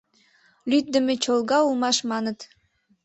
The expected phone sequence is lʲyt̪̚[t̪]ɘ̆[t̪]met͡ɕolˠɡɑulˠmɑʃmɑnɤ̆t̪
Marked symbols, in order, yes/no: no, no

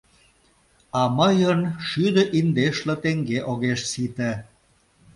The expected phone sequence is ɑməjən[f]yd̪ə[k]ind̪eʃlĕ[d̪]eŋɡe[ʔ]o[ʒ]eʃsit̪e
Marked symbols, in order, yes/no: no, no, no, yes, no

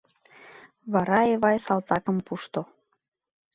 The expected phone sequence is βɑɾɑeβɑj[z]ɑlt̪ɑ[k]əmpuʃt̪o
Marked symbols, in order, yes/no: no, yes

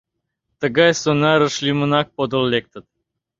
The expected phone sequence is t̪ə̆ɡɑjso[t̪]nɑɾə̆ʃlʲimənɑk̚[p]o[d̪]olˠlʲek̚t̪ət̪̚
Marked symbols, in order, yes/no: no, yes, yes

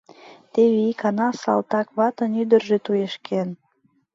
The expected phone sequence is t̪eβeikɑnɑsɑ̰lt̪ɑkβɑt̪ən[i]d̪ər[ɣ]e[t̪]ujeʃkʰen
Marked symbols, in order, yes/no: no, no, yes

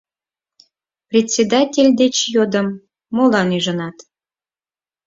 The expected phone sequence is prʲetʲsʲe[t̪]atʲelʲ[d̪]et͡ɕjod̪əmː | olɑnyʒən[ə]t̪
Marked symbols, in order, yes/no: no, yes, no

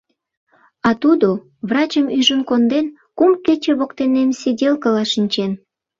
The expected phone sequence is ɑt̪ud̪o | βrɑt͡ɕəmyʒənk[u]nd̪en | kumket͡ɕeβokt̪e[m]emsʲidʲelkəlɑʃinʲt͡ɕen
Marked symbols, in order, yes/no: no, no

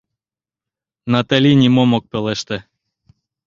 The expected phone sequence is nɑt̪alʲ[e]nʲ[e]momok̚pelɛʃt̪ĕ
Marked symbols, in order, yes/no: no, no

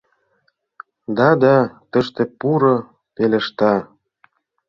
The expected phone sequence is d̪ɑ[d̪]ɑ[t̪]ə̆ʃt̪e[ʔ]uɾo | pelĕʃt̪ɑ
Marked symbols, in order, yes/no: yes, yes, no

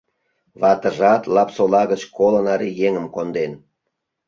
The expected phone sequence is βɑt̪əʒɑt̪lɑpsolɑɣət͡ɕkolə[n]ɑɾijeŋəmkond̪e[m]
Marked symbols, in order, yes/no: yes, no

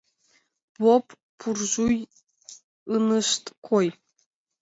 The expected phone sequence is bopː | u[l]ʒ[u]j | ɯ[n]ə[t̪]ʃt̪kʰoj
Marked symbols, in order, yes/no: no, yes, yes, no

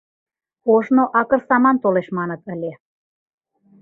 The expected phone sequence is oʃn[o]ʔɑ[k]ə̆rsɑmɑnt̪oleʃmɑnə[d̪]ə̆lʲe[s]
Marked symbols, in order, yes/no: yes, yes, no, no

